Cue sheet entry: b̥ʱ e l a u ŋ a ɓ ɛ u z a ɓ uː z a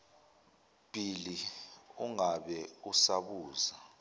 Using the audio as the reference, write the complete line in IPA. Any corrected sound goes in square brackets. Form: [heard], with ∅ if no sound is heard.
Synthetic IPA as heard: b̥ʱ [i] l [i] u ŋ a ɓ ɛ u [s] a ɓ uː z a